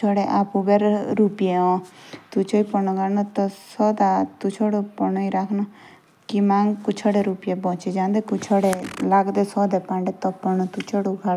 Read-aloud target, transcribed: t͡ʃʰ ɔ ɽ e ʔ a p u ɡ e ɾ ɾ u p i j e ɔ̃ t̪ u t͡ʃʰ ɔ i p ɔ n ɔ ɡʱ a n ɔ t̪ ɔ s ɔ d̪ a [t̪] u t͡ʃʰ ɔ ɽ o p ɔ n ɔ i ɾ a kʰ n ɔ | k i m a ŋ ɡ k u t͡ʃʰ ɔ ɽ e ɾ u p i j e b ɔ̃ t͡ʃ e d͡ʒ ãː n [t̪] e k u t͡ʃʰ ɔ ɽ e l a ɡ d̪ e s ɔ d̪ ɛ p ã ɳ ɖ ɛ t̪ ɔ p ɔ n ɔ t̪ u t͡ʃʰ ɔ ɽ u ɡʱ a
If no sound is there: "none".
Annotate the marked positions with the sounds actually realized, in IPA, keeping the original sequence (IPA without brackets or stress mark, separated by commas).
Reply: t̪, d̪